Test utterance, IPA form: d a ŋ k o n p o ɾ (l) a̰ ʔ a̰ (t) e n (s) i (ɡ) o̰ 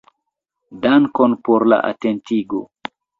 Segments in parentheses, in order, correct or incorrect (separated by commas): correct, correct, incorrect, correct